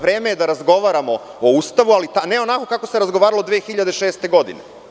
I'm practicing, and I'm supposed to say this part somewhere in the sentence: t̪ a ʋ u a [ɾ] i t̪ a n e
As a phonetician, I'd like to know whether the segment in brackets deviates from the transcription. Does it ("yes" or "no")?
yes